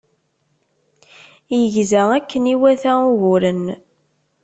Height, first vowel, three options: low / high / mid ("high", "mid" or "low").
mid